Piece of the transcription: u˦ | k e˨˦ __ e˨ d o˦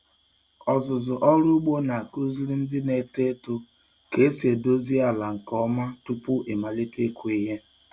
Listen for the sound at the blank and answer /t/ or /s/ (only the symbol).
s